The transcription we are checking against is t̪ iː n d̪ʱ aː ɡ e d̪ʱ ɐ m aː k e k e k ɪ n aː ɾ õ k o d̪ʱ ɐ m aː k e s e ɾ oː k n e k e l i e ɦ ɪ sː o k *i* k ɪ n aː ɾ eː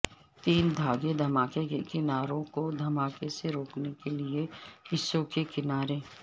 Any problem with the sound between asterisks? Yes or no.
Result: yes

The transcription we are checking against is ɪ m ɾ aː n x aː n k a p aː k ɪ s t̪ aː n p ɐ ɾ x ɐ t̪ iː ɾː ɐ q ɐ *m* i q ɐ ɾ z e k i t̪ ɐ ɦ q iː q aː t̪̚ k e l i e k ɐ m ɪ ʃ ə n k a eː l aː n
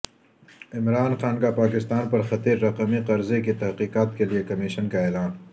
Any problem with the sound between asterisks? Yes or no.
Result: no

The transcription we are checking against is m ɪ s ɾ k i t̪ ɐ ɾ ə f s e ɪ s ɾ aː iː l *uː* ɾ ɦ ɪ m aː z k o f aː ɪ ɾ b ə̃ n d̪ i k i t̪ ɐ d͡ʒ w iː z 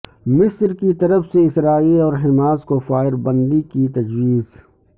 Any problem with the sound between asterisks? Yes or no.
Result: yes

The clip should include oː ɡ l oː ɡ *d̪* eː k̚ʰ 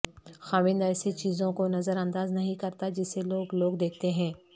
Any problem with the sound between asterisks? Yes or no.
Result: no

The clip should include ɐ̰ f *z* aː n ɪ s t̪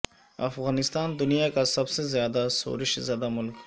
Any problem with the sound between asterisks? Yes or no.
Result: yes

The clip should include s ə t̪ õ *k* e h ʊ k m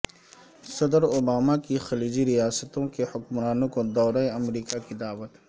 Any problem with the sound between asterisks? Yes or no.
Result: no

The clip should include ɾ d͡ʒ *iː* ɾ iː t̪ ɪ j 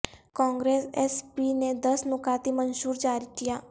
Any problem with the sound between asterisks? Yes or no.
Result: yes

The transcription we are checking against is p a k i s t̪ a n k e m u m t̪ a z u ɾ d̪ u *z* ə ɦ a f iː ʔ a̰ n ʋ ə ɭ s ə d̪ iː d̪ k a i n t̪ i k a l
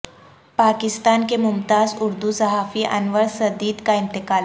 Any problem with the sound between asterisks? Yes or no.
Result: yes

